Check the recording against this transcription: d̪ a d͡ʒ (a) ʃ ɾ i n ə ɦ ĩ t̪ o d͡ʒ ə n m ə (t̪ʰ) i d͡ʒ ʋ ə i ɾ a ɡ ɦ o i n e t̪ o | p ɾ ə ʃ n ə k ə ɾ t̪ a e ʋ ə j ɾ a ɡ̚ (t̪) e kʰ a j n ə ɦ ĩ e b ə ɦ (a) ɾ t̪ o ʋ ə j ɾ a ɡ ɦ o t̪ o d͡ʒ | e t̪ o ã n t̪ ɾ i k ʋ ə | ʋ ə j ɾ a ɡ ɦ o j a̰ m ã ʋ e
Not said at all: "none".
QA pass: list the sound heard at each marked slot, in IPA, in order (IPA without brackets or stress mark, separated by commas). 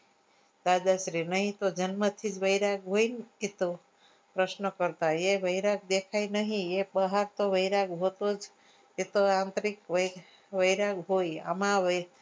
a, t̪ʰ, d̪, a